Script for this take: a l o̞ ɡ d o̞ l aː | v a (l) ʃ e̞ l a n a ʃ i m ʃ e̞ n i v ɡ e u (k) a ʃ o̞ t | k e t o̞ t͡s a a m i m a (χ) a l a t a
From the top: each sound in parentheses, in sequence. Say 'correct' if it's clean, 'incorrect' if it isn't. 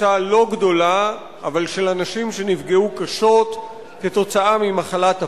correct, correct, correct

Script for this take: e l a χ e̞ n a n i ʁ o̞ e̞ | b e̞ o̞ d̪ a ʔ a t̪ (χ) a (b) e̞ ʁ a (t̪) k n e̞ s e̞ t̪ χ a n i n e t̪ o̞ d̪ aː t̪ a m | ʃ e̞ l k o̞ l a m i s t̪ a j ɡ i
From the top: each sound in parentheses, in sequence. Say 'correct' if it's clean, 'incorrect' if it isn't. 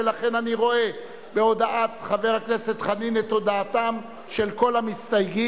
correct, incorrect: v, incorrect: none

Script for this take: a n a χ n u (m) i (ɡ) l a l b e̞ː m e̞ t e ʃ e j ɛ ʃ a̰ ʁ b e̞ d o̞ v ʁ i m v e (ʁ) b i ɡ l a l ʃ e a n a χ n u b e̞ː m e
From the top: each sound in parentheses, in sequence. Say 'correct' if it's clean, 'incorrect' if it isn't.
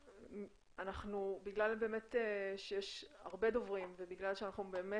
incorrect: b, correct, incorrect: none

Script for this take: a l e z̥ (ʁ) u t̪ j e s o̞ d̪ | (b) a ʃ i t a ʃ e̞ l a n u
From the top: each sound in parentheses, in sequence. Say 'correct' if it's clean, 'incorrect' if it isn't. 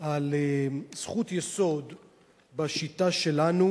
incorrect: χ, correct

